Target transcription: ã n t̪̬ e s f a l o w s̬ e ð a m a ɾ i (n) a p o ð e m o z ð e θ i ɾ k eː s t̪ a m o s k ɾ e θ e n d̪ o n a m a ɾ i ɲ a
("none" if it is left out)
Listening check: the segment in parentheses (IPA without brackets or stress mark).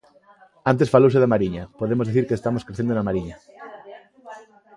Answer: ɲ